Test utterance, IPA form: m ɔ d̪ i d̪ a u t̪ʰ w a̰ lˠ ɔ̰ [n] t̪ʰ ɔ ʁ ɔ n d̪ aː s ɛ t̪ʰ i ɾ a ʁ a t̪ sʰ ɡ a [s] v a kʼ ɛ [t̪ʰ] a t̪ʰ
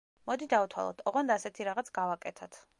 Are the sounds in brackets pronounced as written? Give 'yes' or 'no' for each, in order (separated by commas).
no, no, yes